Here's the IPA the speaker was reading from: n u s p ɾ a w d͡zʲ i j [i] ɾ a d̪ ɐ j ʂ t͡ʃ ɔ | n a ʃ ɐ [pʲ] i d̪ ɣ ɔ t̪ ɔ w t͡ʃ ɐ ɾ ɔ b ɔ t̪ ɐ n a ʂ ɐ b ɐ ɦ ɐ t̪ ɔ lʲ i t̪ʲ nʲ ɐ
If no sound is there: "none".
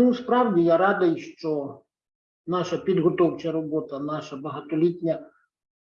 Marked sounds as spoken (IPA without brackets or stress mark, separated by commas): a, pʲ